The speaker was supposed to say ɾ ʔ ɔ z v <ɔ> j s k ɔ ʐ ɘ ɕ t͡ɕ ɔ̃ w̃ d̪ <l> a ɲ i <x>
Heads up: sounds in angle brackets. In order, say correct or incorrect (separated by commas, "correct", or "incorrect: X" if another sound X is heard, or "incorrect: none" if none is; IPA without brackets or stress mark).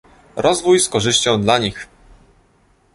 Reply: incorrect: u, correct, correct